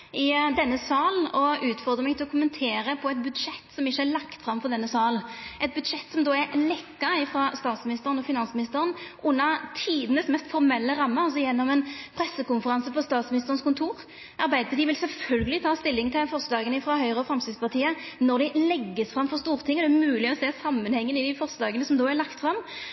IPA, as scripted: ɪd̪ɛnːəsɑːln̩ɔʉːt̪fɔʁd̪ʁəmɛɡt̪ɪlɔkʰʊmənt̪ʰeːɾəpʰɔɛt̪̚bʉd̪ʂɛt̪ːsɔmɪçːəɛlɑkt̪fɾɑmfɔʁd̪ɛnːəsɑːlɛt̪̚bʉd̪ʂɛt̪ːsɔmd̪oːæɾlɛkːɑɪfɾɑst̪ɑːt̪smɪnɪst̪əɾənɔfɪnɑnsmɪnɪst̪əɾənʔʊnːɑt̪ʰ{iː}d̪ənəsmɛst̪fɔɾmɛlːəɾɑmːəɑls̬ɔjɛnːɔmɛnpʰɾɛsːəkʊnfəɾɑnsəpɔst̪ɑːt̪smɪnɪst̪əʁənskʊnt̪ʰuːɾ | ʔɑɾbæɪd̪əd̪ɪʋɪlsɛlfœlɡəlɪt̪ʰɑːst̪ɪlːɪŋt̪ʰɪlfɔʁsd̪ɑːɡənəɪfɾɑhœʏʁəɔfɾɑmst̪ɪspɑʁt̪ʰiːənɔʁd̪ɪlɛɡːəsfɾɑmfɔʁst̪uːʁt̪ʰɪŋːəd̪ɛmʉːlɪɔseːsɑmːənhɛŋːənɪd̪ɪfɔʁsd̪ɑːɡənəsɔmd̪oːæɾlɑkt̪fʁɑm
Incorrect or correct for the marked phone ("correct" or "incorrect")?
correct